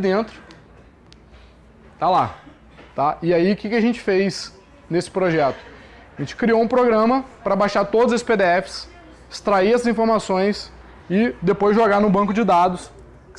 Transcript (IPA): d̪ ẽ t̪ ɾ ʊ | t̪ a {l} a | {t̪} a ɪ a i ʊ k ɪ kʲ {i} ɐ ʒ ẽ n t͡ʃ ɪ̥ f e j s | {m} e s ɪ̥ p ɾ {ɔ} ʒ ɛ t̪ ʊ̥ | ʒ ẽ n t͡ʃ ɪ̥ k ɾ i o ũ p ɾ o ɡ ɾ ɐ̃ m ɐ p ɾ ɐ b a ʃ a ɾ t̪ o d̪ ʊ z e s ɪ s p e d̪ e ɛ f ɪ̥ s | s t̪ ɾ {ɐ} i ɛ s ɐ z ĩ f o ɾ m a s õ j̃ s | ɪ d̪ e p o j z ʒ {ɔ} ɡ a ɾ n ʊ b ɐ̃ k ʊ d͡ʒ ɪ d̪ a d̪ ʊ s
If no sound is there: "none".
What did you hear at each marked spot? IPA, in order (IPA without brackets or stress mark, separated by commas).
l, t̪, ɪ, n, o, a, o